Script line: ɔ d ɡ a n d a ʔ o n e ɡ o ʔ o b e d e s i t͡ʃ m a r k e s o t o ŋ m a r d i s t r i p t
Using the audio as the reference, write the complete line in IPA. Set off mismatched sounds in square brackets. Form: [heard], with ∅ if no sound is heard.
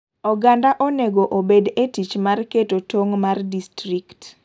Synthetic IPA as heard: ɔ [∅] ɡ a n d a ʔ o n e ɡ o ʔ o b e d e [t] i t͡ʃ m a r k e [t] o t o ŋ m a r d i s t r i [k] t